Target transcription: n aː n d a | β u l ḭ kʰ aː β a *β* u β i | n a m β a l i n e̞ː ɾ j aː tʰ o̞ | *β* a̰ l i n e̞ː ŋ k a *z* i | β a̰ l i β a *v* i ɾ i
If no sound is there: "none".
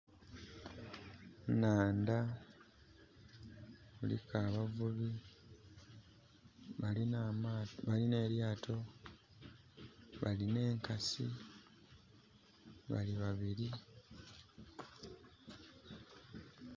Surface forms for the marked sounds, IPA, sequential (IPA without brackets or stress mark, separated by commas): v, β, s, β